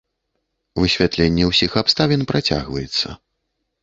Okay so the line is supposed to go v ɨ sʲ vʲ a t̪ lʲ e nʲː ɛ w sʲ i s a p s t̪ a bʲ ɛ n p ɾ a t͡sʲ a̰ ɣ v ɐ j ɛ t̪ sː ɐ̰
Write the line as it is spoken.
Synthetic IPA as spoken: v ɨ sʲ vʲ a t̪ lʲ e nʲː ɛ w sʲ i x a p s t̪ a vʲ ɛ n p ɾ a t͡sʲ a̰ ɣ v ɐ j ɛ t̪ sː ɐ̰